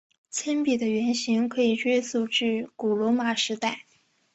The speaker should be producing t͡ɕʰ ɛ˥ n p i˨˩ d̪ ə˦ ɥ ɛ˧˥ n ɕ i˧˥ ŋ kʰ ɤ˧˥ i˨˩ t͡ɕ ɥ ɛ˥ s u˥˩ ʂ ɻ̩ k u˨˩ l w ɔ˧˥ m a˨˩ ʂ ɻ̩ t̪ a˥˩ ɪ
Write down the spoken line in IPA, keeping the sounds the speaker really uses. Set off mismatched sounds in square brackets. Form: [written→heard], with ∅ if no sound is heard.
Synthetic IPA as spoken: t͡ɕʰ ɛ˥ n p i˨˩ d̪ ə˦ ɥ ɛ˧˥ n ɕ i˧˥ ŋ kʰ ɤ˧˥ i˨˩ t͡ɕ ɥ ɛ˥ s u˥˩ [ʂ→ʈ͡ʂ] ɻ̩ k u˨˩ l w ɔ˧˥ m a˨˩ ʂ ɻ̩ t̪ a˥˩ ɪ